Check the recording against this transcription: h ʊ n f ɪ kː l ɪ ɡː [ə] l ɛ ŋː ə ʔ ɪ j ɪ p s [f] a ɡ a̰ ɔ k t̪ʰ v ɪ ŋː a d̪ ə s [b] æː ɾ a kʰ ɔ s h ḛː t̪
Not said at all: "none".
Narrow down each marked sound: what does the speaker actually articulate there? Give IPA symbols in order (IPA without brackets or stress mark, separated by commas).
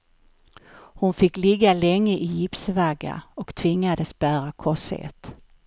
a, v, b